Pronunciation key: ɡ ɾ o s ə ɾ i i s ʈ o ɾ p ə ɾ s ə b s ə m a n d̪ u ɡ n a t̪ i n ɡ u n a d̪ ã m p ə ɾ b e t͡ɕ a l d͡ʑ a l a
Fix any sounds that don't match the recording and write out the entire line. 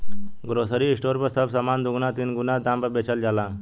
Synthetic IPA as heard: ɡ ɾ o s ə ɾ i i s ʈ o ɾ p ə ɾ s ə b s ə m a n d̪ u ɡ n a t̪ i n ɡ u n a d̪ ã m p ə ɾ b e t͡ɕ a l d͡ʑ a l a